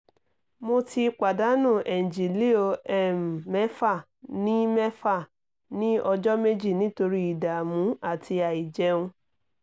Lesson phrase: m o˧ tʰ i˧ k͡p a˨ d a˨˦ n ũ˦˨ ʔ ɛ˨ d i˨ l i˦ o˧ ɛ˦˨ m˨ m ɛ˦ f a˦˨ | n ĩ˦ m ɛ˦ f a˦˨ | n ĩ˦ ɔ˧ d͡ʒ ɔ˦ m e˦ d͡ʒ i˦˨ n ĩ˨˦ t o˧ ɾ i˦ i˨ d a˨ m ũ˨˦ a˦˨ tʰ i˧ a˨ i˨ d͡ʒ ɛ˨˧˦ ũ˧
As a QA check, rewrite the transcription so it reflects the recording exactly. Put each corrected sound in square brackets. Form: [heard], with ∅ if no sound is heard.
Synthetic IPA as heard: m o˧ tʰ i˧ k͡p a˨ d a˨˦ n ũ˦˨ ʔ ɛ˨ [d͡ʒ] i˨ l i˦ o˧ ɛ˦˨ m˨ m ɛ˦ f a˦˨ | n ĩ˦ m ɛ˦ f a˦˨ | n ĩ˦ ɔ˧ d͡ʒ ɔ˦ m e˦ d͡ʒ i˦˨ n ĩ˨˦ t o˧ ɾ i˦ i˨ d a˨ m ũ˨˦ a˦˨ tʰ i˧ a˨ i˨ d͡ʒ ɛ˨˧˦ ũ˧